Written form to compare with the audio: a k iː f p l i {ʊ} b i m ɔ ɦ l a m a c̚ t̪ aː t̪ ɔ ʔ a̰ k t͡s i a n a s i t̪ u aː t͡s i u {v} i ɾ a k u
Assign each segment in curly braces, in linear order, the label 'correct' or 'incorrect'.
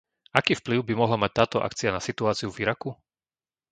correct, correct

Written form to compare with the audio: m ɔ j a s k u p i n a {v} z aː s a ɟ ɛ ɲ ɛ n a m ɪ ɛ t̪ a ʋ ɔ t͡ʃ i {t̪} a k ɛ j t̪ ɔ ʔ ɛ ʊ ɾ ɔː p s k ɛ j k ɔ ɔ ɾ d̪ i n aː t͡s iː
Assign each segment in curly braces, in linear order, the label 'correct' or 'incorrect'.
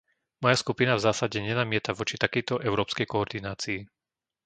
correct, correct

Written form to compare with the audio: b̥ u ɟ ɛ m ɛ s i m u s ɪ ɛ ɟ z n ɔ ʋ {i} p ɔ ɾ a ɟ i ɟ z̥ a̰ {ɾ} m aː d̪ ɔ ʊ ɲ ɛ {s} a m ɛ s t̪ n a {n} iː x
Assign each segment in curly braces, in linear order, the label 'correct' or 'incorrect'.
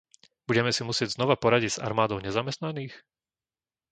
incorrect: a, correct, incorrect: z, correct

